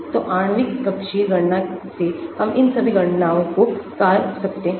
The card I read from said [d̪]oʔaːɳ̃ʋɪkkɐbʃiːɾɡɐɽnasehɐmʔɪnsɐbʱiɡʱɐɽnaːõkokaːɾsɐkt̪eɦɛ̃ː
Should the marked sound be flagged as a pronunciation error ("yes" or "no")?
yes